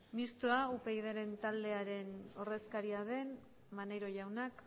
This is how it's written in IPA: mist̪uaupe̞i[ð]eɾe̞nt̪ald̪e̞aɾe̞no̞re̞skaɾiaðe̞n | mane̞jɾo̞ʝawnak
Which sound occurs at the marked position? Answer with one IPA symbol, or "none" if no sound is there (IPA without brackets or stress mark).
ð